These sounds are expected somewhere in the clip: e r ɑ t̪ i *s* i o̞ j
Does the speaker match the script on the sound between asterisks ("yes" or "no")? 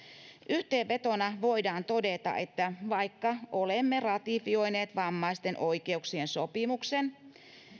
no